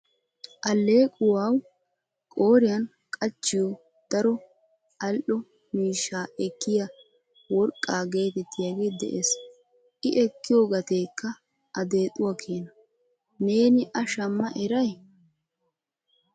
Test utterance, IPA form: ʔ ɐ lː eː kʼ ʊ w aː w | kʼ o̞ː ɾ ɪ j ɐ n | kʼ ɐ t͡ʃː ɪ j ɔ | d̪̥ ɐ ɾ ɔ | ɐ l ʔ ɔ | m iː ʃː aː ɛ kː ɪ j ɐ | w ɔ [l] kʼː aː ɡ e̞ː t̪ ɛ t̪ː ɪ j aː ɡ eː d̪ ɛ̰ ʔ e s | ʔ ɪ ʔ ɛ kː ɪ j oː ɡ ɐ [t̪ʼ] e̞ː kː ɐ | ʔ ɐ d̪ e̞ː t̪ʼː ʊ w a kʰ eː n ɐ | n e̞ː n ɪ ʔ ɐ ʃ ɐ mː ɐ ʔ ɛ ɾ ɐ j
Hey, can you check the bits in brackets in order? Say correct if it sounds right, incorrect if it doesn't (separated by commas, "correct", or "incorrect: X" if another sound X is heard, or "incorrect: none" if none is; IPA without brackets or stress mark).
incorrect: ɾ, incorrect: t̪